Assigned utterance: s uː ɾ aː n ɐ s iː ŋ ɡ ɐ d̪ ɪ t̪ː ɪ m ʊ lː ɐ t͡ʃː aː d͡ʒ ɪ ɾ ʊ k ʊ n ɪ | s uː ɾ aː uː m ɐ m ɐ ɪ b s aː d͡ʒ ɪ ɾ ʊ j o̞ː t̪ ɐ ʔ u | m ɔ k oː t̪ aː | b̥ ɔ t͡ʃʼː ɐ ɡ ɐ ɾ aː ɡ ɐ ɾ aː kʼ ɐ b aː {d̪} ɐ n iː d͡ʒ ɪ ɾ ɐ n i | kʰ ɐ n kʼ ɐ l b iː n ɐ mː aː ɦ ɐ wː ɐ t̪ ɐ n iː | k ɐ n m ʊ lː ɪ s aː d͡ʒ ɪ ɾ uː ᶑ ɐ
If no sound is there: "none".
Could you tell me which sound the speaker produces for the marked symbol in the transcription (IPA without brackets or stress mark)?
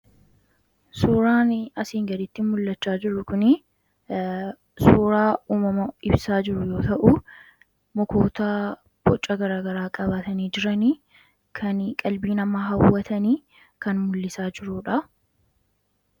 t̪